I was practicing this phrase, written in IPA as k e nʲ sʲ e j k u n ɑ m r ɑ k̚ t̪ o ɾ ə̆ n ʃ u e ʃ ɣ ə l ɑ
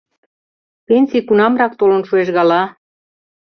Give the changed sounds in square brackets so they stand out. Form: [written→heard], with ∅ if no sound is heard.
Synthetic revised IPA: [k→p] e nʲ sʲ [e→i] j k u n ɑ m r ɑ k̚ t̪ o [ɾ→l] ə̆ n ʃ u e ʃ ɣ [ə→ɑ] l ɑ